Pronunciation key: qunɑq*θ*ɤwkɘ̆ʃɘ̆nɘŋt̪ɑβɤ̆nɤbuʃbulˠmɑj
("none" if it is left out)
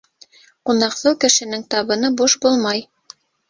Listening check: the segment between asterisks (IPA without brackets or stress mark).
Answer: θ